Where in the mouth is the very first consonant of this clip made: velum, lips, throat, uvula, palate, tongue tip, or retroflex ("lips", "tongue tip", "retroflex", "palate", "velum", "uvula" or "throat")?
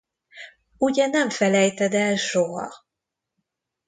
palate